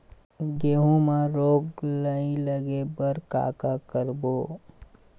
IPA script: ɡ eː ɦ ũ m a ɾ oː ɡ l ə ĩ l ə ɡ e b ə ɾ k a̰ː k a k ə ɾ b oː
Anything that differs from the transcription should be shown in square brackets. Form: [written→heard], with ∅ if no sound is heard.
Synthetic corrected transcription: ɡ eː ɦ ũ m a ɾ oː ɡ l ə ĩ l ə ɡ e b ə ɾ k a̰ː k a k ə ɾ b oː